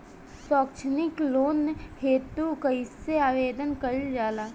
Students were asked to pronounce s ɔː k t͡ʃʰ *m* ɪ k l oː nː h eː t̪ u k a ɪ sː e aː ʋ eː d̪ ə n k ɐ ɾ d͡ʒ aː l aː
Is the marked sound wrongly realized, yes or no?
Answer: yes